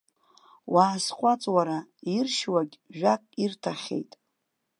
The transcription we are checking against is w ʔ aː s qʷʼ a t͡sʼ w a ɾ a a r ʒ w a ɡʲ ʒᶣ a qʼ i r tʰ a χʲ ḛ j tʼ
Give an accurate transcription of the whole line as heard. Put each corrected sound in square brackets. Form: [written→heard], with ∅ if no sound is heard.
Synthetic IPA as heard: w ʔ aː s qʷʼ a t͡sʼ w a ɾ a [a→i] r [ʒ→ʃ] w a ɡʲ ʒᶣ a [qʼ→kʼ] i r tʰ a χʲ ḛ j tʼ